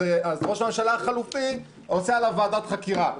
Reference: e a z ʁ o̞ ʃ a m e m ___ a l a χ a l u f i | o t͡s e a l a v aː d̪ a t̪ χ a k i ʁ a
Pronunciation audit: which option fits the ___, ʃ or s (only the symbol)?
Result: ʃ